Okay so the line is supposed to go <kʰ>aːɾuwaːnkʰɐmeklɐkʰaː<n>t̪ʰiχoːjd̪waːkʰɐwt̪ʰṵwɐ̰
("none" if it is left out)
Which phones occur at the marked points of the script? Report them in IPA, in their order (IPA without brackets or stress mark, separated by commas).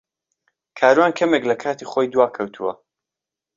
kʰ, none